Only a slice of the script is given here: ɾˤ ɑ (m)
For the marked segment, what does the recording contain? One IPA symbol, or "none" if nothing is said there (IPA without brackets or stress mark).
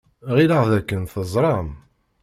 m